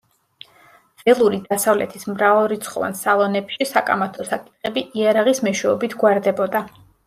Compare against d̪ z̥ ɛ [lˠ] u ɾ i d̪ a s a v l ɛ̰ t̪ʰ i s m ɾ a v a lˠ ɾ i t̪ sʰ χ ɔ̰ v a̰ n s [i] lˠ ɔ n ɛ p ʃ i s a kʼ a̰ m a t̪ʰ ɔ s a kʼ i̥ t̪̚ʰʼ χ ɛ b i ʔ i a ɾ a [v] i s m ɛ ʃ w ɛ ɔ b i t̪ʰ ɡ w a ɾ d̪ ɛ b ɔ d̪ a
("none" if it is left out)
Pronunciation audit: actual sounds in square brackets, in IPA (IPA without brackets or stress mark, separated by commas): lˠ, a, ʁ